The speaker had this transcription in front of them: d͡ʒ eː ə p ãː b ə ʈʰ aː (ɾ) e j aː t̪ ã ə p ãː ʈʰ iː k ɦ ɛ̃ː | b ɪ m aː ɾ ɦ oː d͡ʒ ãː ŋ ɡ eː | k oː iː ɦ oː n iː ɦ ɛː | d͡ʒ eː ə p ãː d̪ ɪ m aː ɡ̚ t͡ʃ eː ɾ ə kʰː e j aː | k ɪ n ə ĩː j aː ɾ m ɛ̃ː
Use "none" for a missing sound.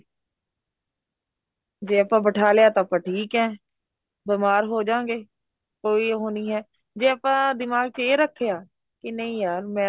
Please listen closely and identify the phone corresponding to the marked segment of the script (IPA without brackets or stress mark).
l